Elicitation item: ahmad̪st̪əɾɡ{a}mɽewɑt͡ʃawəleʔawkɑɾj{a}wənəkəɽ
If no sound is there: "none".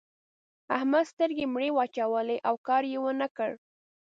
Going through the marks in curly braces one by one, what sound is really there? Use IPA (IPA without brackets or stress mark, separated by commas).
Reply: e, e